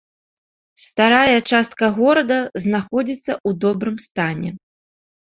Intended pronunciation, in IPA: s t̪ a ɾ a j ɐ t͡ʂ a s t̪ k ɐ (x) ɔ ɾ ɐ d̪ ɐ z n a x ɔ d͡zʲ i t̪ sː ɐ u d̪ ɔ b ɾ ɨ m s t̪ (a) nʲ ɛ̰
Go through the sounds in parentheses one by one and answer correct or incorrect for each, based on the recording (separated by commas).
incorrect, correct